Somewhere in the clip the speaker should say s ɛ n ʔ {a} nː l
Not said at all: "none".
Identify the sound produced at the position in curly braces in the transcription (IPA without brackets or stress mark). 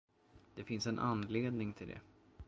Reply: a